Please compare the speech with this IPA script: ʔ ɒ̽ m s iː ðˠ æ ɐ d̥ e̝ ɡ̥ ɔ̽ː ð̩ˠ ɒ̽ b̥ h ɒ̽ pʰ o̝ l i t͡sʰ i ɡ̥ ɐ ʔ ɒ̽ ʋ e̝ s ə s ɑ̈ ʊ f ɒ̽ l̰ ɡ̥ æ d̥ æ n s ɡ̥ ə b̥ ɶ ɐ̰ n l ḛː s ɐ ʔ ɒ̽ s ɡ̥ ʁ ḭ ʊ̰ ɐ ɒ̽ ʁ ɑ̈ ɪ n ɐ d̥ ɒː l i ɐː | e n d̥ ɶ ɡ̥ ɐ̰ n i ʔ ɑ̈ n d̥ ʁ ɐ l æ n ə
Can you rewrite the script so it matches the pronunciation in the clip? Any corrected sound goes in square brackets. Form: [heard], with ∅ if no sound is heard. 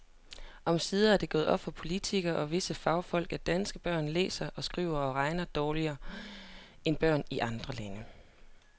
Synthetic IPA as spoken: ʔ ɒ̽ m s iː ðˠ æ ɐ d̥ e̝ ɡ̥ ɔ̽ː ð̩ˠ ɒ̽ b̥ [f] ɒ̽ pʰ o̝ l i t͡sʰ i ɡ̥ ɐ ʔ ɒ̽ ʋ e̝ s ə [f] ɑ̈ ʊ f ɒ̽ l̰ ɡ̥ æ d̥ æ n s ɡ̥ ə b̥ ɶ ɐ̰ n l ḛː s ɐ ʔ ɒ̽ s ɡ̥ ʁ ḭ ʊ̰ ɐ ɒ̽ ʁ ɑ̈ ɪ n ɐ d̥ ɒː l i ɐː | e n [b̥] ɶ [∅] ɐ̰ n i ʔ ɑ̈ n d̥ ʁ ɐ l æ n ə